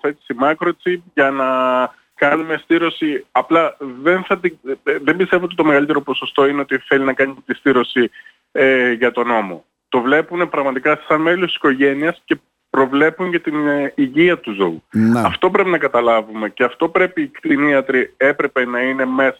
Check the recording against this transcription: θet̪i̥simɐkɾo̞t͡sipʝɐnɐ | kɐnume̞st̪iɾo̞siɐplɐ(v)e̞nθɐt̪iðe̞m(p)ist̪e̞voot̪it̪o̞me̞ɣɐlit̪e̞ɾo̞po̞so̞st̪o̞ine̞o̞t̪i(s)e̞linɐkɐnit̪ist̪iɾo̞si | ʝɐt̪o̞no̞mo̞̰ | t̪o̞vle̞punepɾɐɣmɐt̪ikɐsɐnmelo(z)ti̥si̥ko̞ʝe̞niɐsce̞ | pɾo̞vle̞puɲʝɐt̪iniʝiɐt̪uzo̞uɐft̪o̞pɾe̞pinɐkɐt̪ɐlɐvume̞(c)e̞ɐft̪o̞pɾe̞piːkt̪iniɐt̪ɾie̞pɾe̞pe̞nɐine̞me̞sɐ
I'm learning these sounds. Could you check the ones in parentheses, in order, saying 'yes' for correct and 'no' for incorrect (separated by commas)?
no, no, no, no, yes